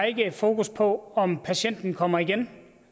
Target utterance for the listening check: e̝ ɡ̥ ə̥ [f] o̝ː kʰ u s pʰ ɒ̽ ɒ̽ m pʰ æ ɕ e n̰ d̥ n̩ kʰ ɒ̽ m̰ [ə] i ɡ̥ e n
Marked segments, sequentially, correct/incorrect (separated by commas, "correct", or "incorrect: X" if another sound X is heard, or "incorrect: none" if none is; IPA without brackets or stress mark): correct, incorrect: ɐ